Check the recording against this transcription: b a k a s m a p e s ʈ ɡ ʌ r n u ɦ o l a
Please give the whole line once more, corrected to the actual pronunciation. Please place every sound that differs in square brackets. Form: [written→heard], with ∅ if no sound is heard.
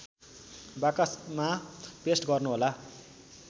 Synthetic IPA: b a k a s m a p e s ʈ ɡ ʌ r n u ɦ o l a